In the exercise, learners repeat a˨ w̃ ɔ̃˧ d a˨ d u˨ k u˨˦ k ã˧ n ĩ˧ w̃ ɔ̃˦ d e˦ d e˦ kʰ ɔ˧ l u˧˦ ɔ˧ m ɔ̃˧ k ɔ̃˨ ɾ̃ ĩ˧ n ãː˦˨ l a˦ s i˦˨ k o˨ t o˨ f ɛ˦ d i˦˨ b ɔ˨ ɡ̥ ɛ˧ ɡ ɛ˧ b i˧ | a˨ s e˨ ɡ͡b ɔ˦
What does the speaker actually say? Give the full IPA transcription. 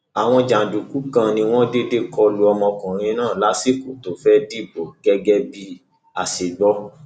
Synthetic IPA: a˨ w̃ ɔ̃˧ d͡ʒ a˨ d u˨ k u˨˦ k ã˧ n ĩ˧ w̃ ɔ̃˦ d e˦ d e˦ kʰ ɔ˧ l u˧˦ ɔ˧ m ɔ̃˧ k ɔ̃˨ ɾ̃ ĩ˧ n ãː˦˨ l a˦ s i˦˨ k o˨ t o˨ f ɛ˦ d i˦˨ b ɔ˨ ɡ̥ ɛ˧ ɡ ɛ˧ b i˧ | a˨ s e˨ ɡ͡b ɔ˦